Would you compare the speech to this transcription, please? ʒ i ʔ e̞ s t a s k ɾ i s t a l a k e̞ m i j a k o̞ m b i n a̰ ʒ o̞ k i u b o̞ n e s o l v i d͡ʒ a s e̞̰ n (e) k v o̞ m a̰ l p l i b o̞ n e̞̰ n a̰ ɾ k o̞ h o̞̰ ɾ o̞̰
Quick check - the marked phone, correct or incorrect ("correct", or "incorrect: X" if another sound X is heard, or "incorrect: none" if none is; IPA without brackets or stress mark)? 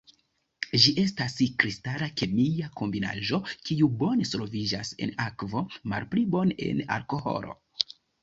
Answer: incorrect: a